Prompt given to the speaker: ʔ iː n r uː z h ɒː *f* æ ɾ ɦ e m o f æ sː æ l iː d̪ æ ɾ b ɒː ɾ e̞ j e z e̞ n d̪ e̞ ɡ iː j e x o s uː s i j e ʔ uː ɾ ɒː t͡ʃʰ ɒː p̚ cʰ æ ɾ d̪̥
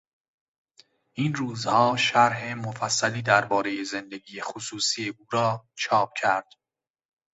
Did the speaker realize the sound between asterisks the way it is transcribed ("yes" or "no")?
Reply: no